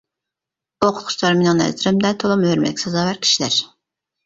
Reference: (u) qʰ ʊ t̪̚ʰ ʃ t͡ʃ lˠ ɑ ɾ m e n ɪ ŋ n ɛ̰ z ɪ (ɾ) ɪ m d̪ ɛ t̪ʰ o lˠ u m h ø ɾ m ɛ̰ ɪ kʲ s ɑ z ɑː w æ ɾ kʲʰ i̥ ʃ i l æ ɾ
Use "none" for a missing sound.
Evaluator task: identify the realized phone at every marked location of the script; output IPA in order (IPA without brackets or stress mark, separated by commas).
o, ɾ